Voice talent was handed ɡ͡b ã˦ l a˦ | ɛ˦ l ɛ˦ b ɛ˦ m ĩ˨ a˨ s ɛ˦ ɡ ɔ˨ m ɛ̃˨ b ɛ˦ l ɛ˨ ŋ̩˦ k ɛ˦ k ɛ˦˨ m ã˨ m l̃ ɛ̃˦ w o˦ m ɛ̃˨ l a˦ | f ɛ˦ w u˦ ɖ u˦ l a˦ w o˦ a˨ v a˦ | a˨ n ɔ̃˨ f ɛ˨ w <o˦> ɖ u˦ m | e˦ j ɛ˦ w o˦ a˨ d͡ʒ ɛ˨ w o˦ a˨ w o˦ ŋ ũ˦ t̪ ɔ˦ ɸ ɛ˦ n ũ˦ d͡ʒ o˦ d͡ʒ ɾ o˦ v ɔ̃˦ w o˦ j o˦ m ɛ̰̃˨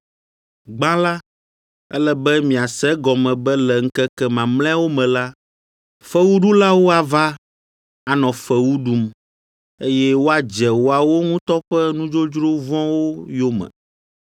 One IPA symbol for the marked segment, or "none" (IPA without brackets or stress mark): u˦